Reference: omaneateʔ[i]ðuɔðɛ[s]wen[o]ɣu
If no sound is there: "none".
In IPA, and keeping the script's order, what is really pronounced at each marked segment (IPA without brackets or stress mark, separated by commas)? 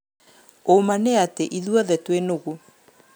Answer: i, t, o